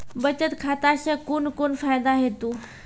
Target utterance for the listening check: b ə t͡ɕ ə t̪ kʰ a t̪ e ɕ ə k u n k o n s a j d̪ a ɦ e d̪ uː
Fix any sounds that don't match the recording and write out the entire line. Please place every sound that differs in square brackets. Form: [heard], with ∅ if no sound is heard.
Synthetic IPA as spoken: b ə t͡ɕ ə t̪ kʰ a t̪ [a] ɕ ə k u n k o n [f] a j d̪ a ɦ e [t̪] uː